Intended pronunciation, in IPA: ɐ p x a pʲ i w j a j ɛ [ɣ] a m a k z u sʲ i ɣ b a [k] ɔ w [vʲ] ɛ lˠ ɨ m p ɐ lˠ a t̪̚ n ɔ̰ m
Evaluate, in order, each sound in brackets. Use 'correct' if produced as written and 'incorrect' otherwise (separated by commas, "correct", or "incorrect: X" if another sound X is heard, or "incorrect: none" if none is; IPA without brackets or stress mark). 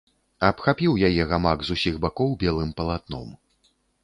correct, correct, incorrect: bʲ